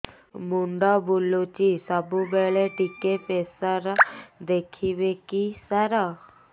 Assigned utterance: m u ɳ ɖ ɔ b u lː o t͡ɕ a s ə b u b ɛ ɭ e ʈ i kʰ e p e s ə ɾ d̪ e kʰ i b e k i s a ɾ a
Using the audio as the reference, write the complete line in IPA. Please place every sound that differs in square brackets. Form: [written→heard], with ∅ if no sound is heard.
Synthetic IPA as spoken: m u ɳ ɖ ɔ b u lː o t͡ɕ [a→i] s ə b u b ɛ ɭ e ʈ i [kʰ→k] e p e s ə ɾ d̪ e kʰ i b e k i s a ɾ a